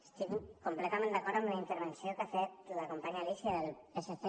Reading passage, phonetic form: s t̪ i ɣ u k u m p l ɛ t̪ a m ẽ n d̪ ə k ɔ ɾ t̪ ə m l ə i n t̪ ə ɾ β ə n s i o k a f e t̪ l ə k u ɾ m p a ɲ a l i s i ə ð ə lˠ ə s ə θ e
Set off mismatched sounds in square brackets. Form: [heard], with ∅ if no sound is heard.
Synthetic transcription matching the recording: s t̪ i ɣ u k u m p l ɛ t̪ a m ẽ n d̪ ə k ɔ ɾ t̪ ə m l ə i n t̪ ə ɾ β ə n s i o k a f e t̪ l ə k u [∅] m p a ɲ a l i s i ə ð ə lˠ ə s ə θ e